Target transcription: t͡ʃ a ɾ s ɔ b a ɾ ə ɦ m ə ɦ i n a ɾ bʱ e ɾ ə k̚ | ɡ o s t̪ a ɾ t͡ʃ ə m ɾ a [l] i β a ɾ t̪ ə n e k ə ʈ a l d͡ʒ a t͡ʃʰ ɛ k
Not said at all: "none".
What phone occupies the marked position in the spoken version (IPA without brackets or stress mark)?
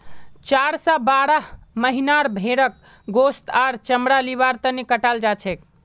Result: l